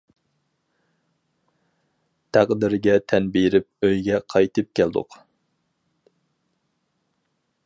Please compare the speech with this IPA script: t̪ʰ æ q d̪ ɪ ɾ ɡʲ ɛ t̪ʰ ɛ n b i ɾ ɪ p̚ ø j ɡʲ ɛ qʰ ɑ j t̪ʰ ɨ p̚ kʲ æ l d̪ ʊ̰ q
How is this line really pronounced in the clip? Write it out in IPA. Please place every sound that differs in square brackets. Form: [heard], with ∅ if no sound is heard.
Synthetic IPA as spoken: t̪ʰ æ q d̪ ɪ ɾ ɡʲ ɛ t̪ʰ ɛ n b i ɾ ɪ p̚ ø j ɡʲ ɛ qʰ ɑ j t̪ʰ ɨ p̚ kʲ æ l d̪ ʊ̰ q